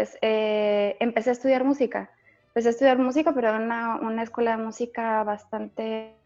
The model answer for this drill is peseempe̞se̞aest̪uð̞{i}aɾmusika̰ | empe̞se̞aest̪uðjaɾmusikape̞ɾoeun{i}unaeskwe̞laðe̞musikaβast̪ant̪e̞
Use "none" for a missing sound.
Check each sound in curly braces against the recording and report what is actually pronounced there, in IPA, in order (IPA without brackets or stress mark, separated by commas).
j, a